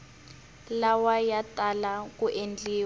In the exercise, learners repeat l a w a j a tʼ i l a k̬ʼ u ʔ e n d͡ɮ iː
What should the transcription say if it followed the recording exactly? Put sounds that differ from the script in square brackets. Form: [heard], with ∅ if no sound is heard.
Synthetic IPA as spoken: l a w a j a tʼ [a] l a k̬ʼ u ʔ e n d͡ɮ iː